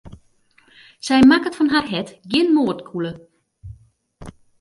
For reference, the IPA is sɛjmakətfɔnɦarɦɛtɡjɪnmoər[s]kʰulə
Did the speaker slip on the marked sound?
yes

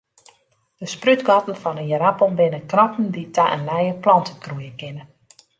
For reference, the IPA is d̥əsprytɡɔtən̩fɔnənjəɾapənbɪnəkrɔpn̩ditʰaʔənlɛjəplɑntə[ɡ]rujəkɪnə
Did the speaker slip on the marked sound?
yes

